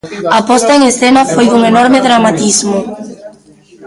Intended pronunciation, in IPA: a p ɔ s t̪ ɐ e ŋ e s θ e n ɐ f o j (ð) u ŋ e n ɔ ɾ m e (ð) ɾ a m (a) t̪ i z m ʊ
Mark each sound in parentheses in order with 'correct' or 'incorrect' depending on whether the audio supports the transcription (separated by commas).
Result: correct, correct, correct